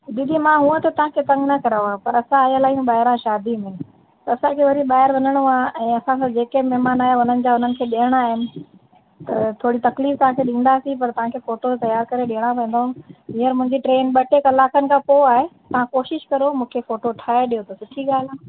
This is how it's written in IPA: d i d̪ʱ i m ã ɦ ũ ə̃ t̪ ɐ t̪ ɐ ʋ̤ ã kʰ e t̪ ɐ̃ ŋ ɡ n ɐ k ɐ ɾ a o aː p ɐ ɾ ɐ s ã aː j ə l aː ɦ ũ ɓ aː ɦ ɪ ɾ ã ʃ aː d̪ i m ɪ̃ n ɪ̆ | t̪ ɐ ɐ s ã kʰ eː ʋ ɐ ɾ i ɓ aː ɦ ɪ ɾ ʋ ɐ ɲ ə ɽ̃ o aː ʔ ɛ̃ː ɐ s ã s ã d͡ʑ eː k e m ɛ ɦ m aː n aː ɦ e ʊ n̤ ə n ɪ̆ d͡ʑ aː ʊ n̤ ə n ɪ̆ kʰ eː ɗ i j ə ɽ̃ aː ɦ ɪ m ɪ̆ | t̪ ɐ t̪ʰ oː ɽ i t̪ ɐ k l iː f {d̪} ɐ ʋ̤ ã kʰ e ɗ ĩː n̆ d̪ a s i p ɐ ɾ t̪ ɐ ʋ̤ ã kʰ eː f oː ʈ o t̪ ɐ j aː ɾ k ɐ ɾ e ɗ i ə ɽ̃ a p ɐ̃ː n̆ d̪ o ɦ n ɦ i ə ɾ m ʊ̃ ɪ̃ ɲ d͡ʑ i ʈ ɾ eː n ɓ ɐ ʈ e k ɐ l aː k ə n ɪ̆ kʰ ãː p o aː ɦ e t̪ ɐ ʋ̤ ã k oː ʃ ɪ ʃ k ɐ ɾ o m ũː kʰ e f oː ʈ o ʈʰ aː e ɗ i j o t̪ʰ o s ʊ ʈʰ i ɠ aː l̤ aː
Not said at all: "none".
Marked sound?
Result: t̪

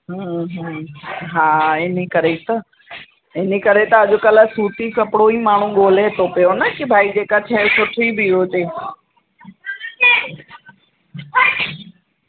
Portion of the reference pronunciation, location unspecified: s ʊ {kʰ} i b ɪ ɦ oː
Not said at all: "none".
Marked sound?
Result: ʈʰ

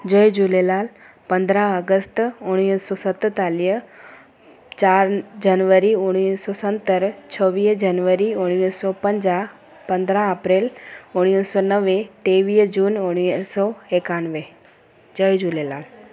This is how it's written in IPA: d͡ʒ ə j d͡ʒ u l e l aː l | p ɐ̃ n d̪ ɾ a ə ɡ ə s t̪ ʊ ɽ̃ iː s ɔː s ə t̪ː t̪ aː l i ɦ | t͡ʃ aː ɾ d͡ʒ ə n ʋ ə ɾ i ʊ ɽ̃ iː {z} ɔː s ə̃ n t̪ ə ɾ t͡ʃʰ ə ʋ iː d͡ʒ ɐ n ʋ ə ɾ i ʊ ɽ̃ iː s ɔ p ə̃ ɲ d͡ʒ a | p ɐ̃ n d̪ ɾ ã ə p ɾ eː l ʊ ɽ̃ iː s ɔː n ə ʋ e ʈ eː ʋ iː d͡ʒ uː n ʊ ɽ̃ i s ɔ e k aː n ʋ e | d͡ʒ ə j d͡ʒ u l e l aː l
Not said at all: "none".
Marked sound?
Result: s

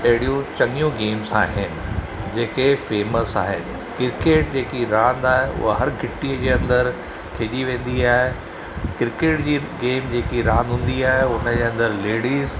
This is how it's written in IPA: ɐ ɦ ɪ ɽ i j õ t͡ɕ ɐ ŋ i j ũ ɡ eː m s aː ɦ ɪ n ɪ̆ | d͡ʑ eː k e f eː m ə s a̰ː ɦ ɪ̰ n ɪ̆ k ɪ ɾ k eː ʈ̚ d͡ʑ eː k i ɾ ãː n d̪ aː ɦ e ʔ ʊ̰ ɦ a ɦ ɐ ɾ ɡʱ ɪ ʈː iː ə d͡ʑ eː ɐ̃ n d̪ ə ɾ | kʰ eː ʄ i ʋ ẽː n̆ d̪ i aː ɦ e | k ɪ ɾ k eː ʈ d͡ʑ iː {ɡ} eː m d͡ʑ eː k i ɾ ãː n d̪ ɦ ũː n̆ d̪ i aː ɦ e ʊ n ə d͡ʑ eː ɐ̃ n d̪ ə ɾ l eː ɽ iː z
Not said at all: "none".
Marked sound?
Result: ɡ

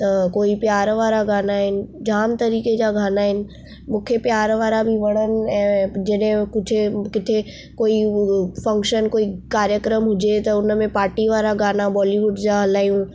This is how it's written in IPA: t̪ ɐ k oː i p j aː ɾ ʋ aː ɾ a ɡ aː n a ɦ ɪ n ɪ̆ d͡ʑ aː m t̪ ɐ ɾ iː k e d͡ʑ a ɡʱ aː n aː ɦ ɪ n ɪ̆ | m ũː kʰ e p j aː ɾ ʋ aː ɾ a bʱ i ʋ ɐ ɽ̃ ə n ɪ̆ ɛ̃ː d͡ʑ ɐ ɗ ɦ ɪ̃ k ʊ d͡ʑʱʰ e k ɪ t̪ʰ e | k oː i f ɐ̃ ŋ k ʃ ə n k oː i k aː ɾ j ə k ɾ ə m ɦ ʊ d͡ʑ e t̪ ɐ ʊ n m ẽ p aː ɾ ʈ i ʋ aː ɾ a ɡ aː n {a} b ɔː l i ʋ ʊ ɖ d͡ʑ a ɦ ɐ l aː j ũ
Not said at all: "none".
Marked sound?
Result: a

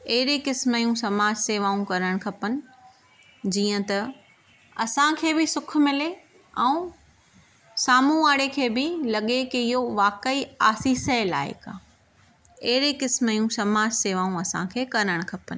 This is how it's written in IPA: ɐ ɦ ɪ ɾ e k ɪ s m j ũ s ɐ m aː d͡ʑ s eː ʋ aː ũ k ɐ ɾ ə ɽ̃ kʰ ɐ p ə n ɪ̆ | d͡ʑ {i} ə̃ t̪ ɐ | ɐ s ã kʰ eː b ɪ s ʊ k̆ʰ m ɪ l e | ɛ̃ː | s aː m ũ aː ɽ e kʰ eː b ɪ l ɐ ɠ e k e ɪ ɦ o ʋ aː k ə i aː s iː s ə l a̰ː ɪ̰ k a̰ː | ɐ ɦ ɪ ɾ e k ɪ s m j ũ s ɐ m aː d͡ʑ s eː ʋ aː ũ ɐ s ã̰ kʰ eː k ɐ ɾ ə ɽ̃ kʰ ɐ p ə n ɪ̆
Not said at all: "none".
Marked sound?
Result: iː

